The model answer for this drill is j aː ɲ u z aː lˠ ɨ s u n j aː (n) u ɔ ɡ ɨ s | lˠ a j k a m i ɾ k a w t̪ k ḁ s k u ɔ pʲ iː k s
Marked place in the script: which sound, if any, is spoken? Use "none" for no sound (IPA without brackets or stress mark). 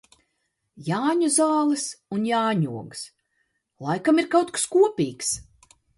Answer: ɲ